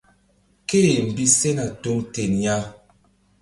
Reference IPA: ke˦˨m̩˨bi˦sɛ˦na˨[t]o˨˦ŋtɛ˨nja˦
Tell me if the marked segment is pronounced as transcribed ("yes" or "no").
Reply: yes